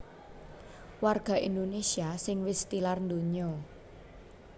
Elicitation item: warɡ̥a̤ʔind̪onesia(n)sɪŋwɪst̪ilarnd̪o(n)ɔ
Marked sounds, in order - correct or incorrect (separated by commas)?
incorrect, incorrect